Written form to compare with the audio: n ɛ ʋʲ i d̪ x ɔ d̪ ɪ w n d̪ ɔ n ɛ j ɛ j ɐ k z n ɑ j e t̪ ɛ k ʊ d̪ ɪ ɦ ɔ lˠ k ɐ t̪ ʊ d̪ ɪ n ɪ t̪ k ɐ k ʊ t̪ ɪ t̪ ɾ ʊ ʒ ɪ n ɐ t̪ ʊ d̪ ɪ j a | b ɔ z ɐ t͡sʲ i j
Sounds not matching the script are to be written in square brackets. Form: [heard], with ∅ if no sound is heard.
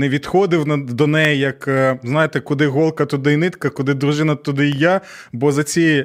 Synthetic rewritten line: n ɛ ʋʲ i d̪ x ɔ d̪ ɪ w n d̪ ɔ n ɛ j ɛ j ɐ k z n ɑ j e t̪ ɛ k ʊ d̪ ɪ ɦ ɔ lˠ k ɐ t̪ ʊ d̪ ɪ n ɪ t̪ k ɐ k ʊ [d̪] ɪ [d̪] ɾ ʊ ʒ ɪ n ɐ t̪ ʊ d̪ ɪ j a | b ɔ z ɐ t͡sʲ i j